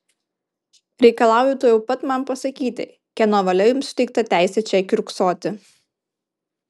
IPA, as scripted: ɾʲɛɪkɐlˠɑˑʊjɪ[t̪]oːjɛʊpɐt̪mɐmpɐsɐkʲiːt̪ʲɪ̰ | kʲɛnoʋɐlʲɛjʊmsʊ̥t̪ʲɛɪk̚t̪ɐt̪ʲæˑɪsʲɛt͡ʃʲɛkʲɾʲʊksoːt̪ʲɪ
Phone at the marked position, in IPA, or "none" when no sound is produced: t̪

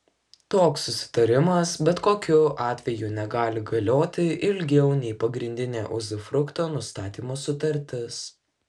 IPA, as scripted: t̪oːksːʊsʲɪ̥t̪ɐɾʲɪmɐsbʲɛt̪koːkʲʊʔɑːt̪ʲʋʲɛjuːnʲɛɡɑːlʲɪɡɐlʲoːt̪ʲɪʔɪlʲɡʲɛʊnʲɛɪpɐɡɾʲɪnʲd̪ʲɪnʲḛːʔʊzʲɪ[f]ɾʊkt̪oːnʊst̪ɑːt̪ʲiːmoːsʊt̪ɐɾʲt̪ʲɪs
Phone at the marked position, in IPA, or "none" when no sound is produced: f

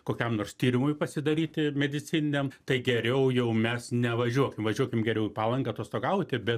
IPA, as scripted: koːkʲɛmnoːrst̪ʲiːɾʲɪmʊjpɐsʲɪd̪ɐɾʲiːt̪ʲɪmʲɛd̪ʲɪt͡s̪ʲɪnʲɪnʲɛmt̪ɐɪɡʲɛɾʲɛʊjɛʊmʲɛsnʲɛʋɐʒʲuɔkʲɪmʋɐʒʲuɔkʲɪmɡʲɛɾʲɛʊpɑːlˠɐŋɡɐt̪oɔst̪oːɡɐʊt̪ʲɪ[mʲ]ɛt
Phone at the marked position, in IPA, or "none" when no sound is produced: bʲ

